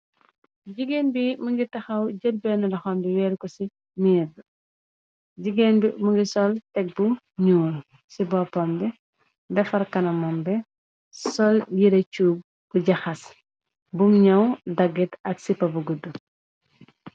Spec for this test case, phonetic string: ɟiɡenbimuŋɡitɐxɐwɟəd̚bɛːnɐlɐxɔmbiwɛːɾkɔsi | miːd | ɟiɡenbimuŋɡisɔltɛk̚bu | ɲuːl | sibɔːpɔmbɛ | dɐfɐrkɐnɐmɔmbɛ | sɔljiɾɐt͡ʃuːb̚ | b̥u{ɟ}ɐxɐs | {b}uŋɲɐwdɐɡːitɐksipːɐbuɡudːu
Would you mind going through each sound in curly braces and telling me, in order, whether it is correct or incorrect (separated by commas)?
correct, correct